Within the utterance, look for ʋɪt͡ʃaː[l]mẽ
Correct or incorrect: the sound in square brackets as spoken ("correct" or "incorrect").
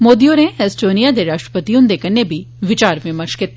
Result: incorrect